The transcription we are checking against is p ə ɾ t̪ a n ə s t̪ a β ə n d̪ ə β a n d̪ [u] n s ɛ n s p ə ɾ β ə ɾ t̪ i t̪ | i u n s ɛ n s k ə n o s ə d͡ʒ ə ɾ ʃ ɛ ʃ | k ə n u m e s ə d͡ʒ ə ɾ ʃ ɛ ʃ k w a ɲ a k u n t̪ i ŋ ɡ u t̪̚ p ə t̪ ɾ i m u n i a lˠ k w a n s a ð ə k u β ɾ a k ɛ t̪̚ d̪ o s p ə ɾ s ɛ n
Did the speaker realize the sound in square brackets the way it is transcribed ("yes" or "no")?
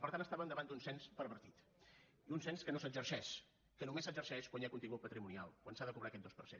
yes